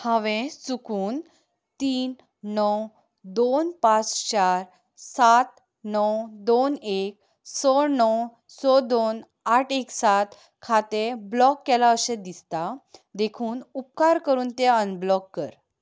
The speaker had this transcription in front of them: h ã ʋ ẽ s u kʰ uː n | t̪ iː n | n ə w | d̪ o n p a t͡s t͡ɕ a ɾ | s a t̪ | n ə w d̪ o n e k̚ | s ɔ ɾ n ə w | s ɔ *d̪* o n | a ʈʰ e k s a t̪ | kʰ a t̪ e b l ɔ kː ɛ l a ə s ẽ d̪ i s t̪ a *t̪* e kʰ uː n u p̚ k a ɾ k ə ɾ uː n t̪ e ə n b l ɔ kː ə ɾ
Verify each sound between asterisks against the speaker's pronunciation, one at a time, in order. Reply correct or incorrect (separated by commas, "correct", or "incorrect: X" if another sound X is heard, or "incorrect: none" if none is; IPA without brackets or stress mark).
correct, incorrect: d̪